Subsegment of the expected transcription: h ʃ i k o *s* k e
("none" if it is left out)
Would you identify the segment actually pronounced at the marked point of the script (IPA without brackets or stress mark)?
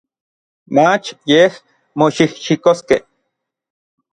s